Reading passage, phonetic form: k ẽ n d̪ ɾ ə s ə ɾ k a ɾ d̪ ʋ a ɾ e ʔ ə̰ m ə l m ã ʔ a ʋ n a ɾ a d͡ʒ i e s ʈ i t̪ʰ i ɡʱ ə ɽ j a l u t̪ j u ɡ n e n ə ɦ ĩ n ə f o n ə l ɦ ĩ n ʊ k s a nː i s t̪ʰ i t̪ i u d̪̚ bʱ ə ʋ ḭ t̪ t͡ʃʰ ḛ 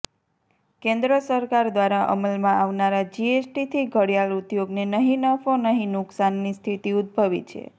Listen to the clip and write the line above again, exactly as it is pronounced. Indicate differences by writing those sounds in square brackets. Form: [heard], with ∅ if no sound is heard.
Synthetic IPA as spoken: k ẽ n d̪ ɾ ə s ə ɾ k a ɾ d̪ ʋ a ɾ [a] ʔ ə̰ m ə l m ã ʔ a ʋ n a ɾ a d͡ʒ i e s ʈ i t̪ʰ i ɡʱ ə ɽ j a l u t̪ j [o] ɡ n e n ə ɦ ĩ n ə f o n ə [∅] ɦ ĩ n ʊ k s a nː i s t̪ʰ i t̪ i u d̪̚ bʱ ə ʋ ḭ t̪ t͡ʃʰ ḛ